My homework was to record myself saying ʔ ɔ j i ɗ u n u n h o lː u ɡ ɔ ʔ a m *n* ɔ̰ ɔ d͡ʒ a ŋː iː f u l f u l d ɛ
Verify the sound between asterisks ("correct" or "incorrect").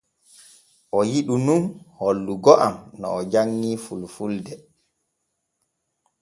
correct